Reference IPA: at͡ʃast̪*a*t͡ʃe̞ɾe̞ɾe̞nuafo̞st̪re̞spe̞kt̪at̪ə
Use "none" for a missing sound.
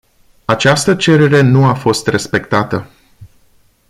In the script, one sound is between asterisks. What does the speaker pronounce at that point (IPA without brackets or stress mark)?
ə